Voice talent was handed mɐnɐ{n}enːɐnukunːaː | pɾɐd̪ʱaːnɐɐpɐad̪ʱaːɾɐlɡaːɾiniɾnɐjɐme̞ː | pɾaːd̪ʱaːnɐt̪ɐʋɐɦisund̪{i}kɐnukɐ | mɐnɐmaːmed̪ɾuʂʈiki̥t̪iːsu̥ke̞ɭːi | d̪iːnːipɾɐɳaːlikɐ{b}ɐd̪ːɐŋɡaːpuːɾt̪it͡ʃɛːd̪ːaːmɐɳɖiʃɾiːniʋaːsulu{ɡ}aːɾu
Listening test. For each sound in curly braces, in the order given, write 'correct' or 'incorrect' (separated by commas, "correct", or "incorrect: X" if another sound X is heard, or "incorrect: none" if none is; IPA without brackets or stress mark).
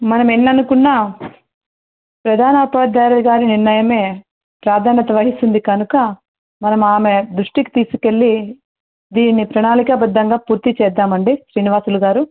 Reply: incorrect: m, correct, correct, correct